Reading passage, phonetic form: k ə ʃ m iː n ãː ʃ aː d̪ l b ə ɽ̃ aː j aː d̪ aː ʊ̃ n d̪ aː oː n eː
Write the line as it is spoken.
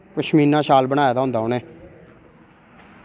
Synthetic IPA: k ə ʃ m iː n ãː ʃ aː l b ə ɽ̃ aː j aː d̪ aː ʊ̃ n d̪ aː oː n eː